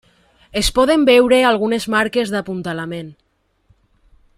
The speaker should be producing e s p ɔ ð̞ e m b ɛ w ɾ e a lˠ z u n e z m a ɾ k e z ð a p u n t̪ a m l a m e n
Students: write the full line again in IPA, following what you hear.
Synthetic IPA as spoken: e s p ɔ ð̞ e m b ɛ w ɾ e a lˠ ɣ u n e z m a ɾ k e z ð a p u n t̪ a l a m e n